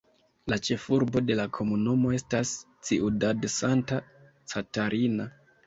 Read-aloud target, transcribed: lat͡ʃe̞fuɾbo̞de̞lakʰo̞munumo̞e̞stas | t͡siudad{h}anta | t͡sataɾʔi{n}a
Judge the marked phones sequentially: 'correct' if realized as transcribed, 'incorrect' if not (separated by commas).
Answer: incorrect, correct